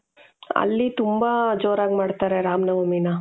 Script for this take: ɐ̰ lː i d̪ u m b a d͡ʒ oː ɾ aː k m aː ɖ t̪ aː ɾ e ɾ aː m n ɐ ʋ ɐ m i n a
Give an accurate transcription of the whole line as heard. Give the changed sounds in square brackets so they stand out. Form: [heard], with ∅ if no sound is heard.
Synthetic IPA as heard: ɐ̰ lː i [t̪] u m b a d͡ʒ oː ɾ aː [ɡ] m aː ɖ t̪ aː ɾ e ɾ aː m n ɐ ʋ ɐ m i n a